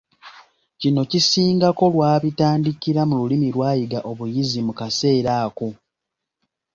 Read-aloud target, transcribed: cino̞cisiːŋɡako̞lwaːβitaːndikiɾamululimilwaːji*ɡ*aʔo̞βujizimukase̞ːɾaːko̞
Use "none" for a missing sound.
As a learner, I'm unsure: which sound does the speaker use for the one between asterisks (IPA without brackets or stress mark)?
ɡ